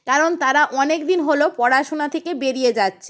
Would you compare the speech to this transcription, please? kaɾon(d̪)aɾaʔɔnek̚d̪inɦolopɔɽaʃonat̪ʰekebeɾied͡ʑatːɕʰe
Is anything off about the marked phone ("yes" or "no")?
yes